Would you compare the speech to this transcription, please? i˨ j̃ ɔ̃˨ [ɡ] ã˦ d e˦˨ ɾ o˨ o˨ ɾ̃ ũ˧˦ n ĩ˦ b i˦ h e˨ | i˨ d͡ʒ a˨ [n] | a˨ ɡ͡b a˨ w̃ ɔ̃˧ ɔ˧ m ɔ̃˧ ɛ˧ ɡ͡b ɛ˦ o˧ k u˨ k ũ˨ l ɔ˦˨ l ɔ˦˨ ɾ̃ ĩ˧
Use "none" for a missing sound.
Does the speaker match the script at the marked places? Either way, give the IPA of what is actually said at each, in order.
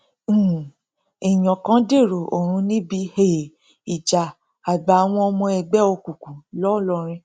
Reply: k, none

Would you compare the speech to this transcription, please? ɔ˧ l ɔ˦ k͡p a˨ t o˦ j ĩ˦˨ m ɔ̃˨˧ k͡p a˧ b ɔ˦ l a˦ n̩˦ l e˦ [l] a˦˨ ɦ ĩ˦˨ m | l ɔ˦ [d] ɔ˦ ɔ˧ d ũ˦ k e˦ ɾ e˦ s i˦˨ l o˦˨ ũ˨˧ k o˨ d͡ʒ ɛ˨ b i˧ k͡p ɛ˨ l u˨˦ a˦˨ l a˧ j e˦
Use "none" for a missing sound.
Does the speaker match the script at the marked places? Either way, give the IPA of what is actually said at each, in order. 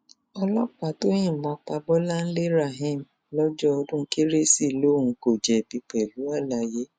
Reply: ɾ, d͡ʒ

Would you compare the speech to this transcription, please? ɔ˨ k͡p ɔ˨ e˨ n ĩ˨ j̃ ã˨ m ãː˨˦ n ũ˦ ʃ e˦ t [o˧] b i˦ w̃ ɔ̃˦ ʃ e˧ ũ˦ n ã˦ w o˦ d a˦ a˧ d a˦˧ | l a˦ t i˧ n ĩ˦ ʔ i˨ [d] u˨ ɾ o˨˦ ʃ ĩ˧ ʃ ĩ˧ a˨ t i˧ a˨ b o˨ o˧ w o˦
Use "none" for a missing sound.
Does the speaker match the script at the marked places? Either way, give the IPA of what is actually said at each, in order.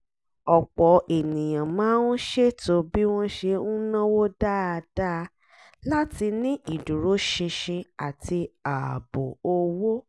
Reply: o˧, d

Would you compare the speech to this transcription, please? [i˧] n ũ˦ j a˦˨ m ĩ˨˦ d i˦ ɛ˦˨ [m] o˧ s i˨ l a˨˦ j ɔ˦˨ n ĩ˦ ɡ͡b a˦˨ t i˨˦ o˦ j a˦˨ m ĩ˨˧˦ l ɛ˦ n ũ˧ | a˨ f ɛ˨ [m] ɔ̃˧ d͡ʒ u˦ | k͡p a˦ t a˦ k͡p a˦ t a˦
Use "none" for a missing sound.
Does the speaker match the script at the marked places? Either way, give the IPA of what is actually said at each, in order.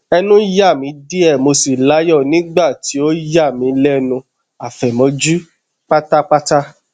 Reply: ɛ˧, m, m

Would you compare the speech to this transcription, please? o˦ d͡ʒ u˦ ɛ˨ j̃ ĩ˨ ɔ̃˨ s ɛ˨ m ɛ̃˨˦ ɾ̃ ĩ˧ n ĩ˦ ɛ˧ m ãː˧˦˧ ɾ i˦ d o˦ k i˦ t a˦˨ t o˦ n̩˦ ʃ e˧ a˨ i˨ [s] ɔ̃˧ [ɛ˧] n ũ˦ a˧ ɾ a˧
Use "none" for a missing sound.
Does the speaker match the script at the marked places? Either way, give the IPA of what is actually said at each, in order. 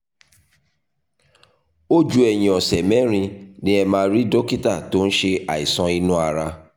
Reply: s, i˧

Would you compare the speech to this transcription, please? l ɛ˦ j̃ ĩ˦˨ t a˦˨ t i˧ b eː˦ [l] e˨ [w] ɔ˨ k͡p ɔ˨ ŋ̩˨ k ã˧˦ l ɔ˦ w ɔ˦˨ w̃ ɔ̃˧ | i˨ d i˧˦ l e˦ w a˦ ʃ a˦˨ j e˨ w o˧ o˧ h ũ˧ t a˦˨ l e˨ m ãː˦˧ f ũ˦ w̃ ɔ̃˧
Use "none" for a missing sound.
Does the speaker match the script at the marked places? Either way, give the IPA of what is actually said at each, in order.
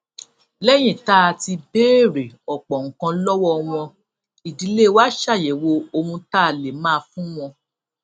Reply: ɾ, none

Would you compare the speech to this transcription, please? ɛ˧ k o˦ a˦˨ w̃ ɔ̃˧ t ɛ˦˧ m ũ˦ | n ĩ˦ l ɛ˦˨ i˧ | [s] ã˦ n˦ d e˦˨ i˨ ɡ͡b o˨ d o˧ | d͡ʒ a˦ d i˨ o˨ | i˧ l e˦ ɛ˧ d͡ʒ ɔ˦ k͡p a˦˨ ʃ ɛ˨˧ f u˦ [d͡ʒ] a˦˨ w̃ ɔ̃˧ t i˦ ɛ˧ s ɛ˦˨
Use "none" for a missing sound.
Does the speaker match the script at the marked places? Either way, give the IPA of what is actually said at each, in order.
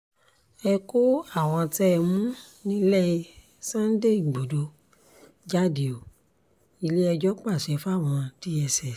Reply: s, none

